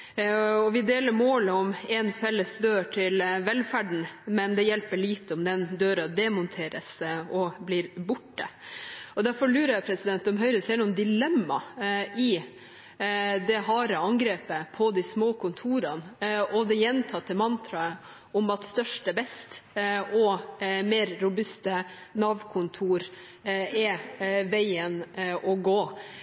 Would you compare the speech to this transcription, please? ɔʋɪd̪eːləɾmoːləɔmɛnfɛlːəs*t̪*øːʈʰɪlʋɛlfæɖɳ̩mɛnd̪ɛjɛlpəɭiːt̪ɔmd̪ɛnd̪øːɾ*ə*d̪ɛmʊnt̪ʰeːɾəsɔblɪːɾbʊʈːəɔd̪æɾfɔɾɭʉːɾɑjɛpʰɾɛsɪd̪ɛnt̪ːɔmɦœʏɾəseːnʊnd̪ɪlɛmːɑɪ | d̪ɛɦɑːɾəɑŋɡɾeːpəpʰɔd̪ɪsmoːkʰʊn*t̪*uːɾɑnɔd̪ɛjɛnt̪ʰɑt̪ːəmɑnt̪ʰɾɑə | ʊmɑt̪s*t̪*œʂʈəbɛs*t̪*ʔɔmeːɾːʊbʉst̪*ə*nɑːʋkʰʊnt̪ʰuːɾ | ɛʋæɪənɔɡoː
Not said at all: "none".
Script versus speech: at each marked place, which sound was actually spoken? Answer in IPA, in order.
d̪, ɑ, t̪ʰ, t̪, t̪, ə

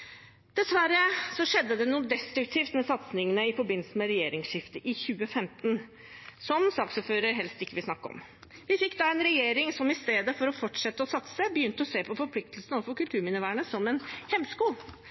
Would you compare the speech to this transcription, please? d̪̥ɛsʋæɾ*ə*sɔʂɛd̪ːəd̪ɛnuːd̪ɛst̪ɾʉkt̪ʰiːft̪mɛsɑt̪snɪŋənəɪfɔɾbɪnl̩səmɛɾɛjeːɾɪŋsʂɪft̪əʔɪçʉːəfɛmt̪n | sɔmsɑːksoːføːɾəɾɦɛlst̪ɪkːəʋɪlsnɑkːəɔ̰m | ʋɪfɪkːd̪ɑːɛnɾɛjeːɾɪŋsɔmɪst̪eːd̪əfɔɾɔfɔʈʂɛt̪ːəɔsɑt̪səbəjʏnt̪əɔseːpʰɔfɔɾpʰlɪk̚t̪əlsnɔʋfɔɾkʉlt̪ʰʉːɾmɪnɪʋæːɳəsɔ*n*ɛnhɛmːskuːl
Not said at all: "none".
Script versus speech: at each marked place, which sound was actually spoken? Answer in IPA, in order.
ə, m

